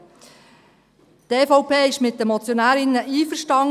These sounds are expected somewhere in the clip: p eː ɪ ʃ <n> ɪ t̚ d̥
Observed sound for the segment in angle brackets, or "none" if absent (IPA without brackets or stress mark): m